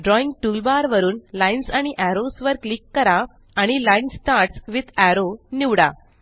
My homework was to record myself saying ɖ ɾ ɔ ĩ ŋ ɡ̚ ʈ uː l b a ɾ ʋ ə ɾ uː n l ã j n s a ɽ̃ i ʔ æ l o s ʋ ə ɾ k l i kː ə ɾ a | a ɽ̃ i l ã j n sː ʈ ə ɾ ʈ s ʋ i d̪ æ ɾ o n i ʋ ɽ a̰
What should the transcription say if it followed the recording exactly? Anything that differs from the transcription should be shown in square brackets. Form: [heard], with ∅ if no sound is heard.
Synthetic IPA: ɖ ɾ ɔ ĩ ŋ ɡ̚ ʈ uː l b a ɾ ʋ ə ɾ uː n l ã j n s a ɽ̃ i ʔ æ [ɾ] o s ʋ ə ɾ k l i kː ə ɾ a | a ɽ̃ i l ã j n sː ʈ [a] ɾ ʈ s ʋ i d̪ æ ɾ o n i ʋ ɽ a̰